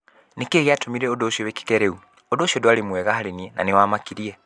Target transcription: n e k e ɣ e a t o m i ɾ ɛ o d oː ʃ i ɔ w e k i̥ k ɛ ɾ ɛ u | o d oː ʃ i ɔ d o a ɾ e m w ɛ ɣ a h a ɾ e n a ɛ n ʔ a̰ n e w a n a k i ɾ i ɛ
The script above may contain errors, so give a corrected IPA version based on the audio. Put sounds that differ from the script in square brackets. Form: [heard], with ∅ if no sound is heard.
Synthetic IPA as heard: n e k e ɣ e a t o m i ɾ ɛ o d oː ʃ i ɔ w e k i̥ k ɛ ɾ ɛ u | o d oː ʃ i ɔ d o a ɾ e m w ɛ ɣ a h a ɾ e n [i] ɛ n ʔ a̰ n e w a [m] a k i ɾ i ɛ